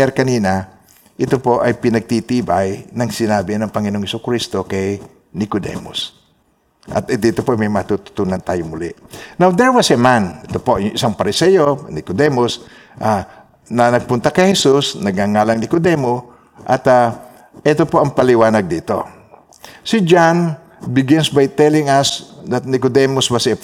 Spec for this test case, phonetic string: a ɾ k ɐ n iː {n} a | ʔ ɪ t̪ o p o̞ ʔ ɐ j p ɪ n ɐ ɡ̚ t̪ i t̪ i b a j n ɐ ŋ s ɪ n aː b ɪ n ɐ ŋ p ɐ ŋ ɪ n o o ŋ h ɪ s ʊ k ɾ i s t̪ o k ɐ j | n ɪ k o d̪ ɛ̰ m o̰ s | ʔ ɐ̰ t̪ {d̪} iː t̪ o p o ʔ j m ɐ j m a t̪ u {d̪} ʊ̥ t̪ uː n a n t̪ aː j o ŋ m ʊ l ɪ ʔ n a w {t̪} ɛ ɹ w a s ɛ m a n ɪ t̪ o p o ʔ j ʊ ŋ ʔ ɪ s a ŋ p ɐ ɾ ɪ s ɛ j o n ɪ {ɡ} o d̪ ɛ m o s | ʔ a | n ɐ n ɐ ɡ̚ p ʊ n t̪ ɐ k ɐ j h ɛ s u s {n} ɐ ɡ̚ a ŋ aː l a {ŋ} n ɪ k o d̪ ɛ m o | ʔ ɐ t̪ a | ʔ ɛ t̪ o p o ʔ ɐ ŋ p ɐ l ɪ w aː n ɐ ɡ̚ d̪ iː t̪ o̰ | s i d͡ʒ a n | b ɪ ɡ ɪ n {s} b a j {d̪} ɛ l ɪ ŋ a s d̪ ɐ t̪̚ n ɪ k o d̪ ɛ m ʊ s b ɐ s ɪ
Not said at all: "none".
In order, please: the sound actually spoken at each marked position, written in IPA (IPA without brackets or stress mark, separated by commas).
n, d̪, t̪, d̪, k, n, ŋ, s, t̪